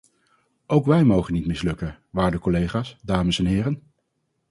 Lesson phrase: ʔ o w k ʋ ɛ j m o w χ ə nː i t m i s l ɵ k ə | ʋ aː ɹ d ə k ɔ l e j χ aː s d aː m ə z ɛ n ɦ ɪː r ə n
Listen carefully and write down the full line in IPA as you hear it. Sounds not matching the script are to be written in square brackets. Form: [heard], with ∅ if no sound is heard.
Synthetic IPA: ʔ o w k ʋ ɛ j m o w χ ə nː i t m [ɪ] s l ɵ k ə | ʋ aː ɹ d ə k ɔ l e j χ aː s d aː m ə [s] ɛ n ɦ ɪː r ə n